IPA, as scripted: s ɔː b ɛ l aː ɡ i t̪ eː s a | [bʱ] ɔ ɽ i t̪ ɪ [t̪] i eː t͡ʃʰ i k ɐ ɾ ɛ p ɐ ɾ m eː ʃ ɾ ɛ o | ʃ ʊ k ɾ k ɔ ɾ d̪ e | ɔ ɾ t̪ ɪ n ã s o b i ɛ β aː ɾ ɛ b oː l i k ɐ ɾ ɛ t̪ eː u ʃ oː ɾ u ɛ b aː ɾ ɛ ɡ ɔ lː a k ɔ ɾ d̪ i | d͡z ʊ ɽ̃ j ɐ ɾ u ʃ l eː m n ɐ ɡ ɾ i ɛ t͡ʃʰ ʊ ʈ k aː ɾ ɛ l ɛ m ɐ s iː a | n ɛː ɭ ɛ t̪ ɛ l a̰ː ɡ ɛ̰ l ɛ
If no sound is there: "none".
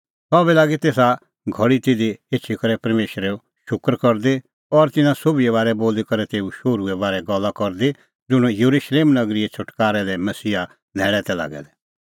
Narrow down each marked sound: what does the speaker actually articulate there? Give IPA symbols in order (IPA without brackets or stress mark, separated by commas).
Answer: ɡʱ, d̪